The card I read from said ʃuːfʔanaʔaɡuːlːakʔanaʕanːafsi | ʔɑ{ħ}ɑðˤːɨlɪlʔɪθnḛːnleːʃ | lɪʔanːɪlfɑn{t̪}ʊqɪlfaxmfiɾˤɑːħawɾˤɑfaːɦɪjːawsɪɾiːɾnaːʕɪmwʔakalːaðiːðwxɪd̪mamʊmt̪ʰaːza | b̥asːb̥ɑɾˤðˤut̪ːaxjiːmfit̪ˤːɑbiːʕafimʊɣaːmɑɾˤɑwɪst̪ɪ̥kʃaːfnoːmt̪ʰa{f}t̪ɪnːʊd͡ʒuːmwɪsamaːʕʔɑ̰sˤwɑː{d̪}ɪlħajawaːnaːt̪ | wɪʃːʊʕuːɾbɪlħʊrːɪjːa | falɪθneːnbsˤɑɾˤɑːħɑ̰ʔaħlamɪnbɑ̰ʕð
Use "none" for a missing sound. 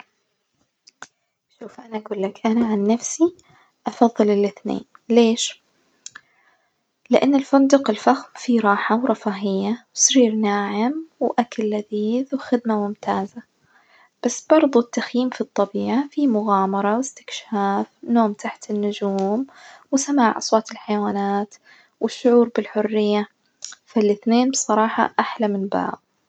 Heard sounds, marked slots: f, d̪, ħ, t̪

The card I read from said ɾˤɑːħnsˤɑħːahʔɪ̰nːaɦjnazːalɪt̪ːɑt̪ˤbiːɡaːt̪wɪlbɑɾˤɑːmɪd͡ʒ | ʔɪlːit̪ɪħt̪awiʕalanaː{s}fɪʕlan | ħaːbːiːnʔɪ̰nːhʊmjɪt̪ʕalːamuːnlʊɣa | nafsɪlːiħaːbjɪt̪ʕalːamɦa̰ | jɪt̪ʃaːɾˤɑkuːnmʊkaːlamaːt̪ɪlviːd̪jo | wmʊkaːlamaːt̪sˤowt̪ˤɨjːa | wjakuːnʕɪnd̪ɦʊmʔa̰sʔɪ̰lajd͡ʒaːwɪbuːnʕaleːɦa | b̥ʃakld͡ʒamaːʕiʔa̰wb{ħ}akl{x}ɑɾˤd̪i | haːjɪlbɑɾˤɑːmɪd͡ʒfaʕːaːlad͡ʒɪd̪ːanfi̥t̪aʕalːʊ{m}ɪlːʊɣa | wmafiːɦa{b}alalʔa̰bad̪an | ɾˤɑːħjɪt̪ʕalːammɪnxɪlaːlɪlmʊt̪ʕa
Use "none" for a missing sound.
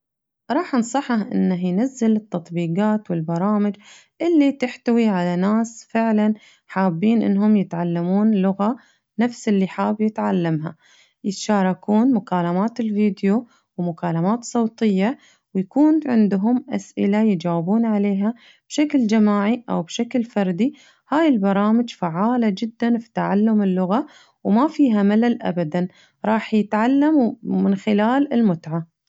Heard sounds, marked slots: s, ʃ, f, m, m

